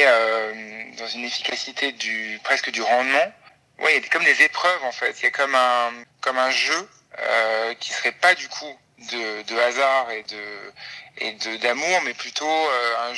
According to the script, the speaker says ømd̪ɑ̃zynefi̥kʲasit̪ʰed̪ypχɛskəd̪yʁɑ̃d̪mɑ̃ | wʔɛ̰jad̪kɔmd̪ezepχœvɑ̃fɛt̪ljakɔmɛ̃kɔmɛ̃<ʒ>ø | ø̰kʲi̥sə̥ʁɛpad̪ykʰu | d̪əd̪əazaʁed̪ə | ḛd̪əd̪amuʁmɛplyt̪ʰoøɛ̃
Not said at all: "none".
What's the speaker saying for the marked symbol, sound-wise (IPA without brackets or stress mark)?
ʒ